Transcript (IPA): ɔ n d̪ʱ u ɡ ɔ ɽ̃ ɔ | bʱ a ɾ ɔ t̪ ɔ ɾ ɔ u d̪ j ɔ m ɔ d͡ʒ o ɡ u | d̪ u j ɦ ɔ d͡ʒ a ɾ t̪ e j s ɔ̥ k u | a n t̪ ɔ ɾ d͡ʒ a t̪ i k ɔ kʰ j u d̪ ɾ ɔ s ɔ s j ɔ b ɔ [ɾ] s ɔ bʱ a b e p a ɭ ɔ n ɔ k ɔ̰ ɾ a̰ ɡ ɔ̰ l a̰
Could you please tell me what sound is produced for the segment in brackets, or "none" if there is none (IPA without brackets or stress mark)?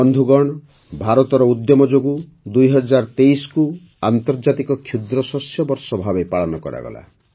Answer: ɾ